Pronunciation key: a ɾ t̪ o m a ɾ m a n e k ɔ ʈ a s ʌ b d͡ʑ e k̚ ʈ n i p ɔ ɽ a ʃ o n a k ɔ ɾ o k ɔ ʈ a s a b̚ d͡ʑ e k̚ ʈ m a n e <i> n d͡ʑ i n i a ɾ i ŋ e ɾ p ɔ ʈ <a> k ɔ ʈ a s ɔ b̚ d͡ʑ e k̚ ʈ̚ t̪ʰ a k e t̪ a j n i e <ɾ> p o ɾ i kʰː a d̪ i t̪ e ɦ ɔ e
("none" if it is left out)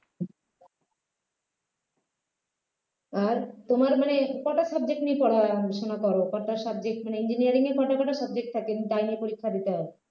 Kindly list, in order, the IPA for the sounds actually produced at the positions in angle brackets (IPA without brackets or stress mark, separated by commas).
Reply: i, a, none